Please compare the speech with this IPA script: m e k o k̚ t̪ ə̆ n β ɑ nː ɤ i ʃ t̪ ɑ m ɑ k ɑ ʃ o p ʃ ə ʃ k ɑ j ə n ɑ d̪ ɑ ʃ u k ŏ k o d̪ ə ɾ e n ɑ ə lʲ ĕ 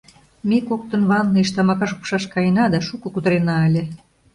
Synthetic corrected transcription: m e k o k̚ t̪ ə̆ n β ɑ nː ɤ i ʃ t̪ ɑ m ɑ k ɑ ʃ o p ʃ ɑ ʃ k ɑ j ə n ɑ d̪ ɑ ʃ u k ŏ k u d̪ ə ɾ e n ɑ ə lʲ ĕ